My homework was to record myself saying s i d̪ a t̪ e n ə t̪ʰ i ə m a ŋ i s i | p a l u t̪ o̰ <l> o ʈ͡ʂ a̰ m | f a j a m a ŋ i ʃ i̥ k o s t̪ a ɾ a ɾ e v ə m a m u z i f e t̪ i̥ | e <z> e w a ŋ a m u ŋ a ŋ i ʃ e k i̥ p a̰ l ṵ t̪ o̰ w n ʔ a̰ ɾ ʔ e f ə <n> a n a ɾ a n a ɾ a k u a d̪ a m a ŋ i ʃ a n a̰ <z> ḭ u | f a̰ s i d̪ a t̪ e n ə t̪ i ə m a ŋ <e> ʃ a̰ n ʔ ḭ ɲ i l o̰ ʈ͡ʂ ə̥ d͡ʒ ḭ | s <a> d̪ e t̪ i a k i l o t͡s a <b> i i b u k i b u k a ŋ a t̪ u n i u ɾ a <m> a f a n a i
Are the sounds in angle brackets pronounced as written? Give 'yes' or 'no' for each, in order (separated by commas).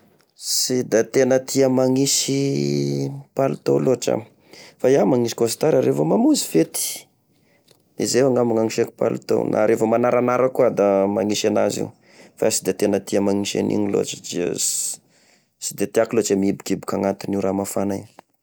yes, yes, no, yes, no, no, no, yes